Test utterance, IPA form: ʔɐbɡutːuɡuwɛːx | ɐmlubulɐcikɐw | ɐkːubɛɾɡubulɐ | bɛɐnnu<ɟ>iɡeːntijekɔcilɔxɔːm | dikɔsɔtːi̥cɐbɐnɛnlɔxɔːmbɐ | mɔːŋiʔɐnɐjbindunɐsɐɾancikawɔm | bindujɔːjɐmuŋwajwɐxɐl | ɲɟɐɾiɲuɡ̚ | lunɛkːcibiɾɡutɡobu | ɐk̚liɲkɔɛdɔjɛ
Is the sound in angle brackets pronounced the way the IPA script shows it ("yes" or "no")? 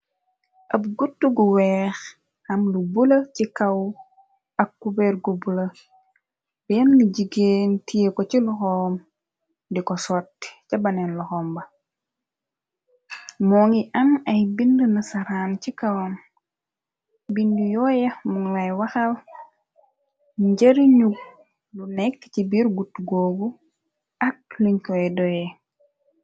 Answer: yes